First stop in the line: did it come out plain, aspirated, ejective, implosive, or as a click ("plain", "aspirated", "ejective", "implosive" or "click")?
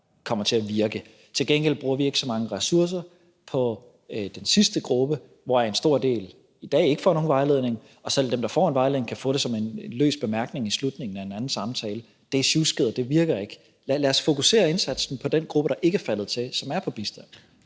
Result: aspirated